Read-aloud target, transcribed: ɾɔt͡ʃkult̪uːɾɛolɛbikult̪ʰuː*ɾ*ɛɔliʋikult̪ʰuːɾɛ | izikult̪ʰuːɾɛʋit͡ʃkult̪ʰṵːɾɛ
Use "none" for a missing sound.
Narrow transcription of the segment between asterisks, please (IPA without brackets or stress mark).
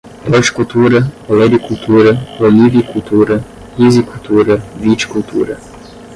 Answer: ɾ